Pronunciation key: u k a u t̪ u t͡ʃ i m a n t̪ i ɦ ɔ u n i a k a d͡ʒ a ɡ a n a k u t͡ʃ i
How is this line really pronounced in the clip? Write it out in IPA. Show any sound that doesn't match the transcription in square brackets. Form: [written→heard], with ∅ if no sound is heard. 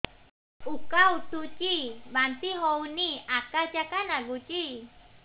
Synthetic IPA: u k a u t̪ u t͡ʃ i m a n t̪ i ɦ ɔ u n i a k a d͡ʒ a [ɡ→k] a n a [k→ɡ] u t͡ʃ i